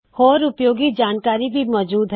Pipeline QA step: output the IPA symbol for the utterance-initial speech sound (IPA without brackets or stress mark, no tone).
h